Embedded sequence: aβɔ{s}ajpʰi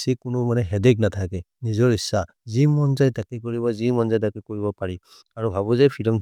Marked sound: incorrect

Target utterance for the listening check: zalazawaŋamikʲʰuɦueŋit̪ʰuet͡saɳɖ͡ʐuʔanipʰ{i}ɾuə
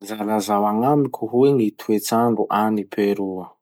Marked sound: incorrect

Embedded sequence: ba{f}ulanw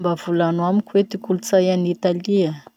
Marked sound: incorrect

